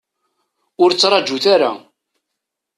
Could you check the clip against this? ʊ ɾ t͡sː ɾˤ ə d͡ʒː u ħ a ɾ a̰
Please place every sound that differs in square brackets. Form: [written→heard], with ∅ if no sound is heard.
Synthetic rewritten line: ʊ ɾ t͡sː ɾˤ [ə→ɑ] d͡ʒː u [ħ→θ] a ɾ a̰